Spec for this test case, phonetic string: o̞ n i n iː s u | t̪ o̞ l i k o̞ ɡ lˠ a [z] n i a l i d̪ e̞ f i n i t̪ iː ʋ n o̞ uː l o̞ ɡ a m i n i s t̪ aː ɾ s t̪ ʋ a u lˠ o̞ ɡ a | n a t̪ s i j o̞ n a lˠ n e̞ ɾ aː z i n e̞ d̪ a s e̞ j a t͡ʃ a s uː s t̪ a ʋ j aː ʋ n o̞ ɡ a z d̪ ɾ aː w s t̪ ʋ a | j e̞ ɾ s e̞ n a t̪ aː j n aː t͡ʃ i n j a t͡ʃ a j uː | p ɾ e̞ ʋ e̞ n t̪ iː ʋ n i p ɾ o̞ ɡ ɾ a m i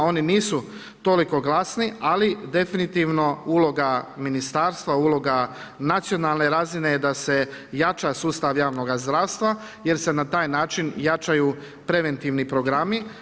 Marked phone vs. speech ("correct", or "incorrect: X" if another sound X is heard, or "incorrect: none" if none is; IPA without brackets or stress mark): incorrect: s